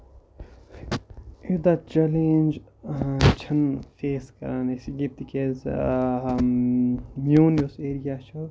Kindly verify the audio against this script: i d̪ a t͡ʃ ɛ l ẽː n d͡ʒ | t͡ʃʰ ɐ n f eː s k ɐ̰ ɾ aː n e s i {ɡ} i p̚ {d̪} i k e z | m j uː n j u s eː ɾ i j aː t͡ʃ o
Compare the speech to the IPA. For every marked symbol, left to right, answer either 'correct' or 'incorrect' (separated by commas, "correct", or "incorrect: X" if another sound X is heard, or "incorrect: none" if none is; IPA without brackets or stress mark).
correct, incorrect: t̪